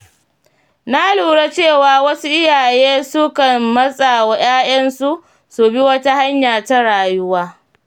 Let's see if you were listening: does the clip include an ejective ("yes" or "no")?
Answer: yes